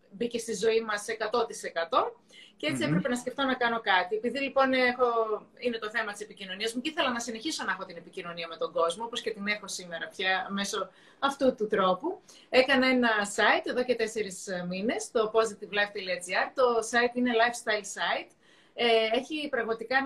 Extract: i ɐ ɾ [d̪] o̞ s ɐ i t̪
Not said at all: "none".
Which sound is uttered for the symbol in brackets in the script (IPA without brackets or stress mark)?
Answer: t̪